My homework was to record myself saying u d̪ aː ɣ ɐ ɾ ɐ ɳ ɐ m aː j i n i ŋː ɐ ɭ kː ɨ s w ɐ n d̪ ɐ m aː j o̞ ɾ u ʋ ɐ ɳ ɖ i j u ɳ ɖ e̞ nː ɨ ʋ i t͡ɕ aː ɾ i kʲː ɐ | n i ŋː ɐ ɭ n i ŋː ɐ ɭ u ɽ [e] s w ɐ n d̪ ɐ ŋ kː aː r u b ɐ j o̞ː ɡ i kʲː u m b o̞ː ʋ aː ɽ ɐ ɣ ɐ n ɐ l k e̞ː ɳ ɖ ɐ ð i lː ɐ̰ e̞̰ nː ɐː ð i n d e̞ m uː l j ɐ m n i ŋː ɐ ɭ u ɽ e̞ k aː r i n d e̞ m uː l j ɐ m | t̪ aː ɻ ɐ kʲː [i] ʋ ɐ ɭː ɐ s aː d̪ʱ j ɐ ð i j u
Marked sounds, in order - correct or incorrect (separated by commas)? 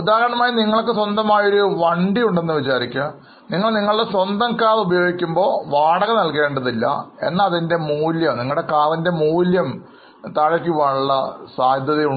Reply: correct, correct